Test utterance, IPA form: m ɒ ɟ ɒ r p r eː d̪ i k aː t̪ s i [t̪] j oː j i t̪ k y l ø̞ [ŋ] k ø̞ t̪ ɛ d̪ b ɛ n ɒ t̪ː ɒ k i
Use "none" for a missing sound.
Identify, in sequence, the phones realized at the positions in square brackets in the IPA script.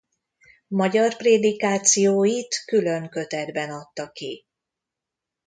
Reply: none, ŋ

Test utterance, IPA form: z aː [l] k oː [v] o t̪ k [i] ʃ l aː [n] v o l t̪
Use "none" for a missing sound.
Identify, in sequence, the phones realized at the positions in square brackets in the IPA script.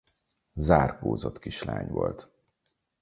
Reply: r, z, i, ɲ

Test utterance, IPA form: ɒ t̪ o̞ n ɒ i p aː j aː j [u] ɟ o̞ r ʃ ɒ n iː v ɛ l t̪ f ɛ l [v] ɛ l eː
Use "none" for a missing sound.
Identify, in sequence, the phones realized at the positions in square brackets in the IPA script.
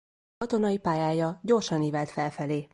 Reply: ɒ, f

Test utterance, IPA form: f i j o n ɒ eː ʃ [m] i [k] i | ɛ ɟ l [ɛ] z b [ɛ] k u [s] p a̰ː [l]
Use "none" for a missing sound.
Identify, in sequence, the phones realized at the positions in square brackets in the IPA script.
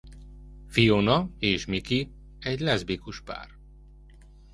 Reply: m, k, ɛ, i, ʃ, r

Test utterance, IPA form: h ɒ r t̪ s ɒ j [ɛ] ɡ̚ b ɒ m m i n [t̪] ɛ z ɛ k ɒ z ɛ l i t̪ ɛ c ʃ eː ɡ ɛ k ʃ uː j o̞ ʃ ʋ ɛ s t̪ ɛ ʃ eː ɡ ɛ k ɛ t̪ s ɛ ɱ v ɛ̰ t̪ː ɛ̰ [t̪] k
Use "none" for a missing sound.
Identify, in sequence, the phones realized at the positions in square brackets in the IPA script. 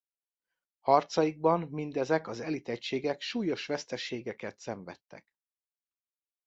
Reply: i, d̪, none

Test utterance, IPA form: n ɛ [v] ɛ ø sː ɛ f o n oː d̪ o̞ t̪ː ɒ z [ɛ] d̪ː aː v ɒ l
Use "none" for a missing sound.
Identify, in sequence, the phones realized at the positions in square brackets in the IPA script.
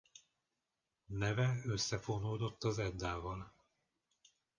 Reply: v, ɛ

